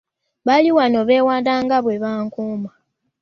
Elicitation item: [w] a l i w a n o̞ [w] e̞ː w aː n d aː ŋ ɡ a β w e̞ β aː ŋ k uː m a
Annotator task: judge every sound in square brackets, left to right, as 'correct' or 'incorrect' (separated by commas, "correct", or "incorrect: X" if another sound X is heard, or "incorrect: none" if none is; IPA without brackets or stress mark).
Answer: incorrect: β, incorrect: β